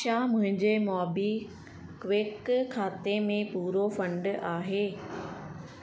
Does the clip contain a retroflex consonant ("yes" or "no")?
yes